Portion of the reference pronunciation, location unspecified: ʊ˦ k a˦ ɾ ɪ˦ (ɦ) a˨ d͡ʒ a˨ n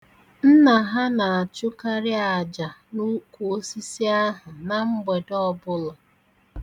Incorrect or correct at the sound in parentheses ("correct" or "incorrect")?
incorrect